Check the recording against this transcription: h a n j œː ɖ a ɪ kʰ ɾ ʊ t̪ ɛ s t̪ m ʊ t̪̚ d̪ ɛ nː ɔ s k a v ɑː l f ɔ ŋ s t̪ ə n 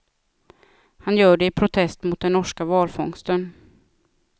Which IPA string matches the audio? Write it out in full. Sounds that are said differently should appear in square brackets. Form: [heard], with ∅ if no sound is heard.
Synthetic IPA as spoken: h a n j œː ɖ [ɛ] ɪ [pʰ] ɾ ʊ [t̪ʰ] ɛ s t̪ m ʊ t̪̚ d̪ ɛ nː ɔ [ʂ] k a v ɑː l f ɔ ŋ s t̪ ə n